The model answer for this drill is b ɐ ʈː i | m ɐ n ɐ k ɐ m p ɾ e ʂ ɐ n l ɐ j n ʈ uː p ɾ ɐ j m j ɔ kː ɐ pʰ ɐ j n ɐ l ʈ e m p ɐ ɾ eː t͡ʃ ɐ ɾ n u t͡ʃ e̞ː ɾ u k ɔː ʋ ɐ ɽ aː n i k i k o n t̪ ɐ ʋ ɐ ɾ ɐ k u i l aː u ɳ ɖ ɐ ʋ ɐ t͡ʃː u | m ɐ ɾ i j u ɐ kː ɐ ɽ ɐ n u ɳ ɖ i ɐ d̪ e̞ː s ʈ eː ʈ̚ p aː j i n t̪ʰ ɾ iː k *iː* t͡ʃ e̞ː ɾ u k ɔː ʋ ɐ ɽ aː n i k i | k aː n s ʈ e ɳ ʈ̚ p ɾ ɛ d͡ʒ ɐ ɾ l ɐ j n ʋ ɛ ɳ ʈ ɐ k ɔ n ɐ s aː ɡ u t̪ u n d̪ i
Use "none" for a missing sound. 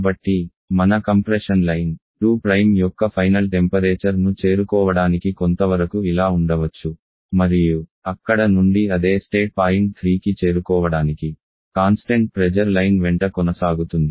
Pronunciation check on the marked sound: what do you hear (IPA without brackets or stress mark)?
i